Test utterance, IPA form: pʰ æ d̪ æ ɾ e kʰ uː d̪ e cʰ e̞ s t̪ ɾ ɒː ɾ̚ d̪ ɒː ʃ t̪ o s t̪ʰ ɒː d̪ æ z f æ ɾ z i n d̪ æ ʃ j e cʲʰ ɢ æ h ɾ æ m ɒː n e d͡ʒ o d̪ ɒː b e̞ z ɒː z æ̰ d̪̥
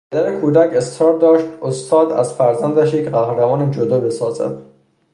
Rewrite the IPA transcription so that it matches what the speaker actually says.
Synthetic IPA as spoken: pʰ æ d̪ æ ɾ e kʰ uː d̪ æ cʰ e̞ s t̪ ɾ ɒː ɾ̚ d̪ ɒː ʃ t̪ o s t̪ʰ ɒː d̪ æ z f æ ɾ z æ n d̪ æ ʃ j e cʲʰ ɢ æ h ɾ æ m ɒː n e d͡ʒ o d̪ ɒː b e̞ s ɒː z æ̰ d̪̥